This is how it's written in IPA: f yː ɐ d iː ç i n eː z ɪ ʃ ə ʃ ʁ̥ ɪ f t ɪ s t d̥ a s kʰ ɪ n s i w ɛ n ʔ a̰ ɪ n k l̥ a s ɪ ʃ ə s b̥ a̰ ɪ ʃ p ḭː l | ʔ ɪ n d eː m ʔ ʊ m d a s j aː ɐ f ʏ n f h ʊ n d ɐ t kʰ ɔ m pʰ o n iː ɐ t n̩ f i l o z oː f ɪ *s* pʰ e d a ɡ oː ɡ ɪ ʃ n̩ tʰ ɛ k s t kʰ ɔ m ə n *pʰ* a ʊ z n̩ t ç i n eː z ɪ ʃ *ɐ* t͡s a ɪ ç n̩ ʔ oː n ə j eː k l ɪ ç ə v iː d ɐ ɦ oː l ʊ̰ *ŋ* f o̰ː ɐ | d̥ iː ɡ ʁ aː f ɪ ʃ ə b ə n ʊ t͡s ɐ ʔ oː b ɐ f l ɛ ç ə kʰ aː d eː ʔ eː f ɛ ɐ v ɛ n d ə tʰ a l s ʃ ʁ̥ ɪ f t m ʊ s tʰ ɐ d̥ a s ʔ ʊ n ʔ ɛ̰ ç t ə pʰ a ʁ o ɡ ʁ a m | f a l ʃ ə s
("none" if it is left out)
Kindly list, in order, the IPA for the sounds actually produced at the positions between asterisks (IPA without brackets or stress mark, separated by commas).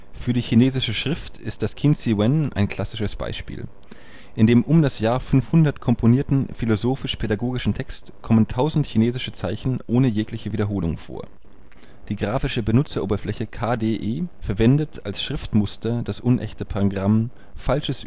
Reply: ʃ, tʰ, ə, ŋ